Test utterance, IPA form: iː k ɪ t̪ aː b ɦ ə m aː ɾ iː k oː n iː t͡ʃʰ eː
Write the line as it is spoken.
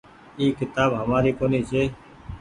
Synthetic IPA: iː k ɪ t̪ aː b ɦ ə m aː ɾ iː k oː n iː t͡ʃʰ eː